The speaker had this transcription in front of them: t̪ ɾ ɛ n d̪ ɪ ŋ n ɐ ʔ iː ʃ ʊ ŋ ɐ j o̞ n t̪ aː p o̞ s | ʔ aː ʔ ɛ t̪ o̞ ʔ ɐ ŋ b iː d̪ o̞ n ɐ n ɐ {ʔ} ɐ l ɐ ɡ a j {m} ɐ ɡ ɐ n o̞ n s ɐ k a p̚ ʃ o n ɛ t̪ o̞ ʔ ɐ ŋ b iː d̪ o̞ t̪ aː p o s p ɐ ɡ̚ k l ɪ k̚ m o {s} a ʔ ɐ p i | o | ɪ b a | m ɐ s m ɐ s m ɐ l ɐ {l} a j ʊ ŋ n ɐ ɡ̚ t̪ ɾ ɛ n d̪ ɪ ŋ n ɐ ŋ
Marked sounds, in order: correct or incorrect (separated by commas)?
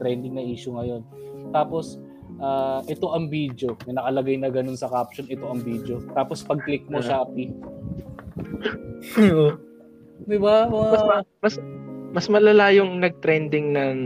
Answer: incorrect, incorrect, incorrect, correct